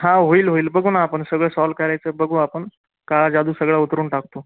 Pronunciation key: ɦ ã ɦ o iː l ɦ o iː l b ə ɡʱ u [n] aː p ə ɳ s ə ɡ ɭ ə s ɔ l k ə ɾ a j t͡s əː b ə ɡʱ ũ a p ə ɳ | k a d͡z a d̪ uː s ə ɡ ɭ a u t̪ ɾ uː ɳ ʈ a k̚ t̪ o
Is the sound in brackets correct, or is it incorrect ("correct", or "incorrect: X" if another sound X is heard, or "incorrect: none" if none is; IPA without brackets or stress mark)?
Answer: correct